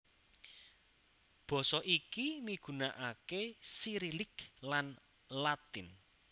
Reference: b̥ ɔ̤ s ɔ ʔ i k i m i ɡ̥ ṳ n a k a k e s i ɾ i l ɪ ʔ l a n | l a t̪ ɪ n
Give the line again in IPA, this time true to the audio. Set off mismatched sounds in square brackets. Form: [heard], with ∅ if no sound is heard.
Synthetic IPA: b̥ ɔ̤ s ɔ ʔ i k i m i ɡ̥ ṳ n a [ʔ] a k e s i ɾ i l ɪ [k] l a n | l a t̪ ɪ n